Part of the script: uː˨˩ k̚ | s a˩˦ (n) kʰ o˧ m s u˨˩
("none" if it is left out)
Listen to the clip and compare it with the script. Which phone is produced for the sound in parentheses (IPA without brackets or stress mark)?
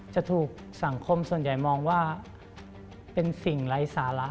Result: ŋ